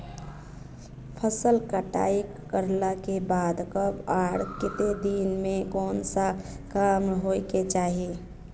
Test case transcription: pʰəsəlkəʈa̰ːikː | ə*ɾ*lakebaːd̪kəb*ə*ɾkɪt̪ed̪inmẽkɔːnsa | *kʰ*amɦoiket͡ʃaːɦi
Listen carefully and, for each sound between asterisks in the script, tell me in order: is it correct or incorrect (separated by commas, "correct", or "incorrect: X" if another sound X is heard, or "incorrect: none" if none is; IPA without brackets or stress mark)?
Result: correct, incorrect: a, incorrect: k